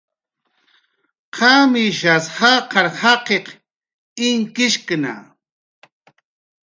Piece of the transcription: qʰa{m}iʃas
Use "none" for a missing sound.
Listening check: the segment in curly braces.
m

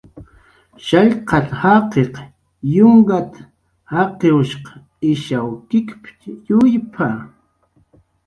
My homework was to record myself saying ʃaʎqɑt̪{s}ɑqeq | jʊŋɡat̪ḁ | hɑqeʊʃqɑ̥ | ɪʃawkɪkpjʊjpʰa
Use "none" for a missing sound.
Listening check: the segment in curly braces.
h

